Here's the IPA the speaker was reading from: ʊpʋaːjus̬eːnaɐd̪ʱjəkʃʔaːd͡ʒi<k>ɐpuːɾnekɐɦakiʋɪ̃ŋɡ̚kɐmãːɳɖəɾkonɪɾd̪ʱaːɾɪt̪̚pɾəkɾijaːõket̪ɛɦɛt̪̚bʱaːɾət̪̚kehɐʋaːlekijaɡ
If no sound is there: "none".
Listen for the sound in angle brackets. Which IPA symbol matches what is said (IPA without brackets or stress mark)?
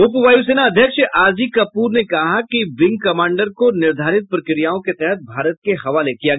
k